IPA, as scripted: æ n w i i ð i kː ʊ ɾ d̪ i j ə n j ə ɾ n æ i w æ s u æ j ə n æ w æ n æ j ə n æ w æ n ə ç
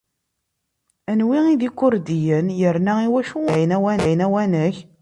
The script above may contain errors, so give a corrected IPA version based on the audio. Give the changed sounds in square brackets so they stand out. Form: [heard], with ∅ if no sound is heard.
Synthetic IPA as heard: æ n w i i ð i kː ʊ ɾ d̪ i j ə n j ə ɾ n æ i w æ [ʃ] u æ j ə n æ w æ n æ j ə n æ w æ n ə ç